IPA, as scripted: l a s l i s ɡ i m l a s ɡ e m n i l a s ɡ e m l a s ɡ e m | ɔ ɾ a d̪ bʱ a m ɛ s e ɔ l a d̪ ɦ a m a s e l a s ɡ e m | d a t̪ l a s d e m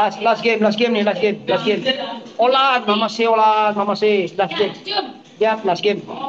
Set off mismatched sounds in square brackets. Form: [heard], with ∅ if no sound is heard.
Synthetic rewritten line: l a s l [a] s ɡ [e] m l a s ɡ e m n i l a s ɡ e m l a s ɡ e m | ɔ [l] a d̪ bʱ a m [a] s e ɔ l a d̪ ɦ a m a s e l a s ɡ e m | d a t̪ l a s [ɡ] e m